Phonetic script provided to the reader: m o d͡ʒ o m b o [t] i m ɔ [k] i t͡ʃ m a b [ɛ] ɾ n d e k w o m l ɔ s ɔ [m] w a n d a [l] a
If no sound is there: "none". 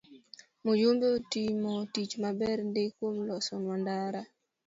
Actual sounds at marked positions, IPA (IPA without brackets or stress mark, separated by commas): t, t, ɛ, n, ɾ